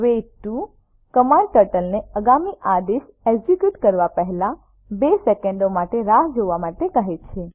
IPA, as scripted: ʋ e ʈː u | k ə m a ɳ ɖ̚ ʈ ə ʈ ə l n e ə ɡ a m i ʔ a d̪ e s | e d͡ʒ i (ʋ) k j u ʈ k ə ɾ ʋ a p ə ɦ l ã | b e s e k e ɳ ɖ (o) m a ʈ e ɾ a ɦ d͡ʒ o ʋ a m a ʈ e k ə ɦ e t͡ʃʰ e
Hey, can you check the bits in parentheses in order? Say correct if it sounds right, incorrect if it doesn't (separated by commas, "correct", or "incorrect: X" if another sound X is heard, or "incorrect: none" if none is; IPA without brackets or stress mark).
incorrect: none, correct